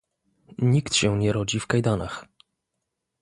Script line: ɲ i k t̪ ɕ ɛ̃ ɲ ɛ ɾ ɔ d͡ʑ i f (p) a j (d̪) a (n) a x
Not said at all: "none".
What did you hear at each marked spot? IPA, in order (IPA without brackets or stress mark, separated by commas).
k, d̪, n